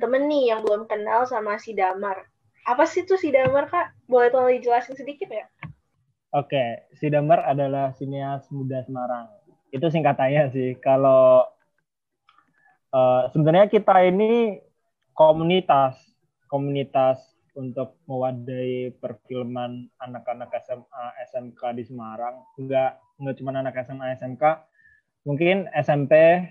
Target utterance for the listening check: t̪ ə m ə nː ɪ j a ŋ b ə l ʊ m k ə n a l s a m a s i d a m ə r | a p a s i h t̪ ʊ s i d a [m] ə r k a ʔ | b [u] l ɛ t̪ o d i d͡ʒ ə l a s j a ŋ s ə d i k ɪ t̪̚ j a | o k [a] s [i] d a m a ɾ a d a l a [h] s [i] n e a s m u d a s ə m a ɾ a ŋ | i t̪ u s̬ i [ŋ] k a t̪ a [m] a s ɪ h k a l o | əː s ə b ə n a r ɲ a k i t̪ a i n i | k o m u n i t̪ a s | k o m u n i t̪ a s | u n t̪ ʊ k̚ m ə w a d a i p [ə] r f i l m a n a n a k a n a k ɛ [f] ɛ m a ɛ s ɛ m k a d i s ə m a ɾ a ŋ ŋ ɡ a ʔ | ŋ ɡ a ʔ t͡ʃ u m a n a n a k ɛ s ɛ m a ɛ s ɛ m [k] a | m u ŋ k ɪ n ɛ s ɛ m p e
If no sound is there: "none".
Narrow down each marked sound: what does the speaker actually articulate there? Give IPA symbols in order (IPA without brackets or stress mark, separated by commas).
m, o, e, i, h, i, ŋ, ɲ, ə, s, k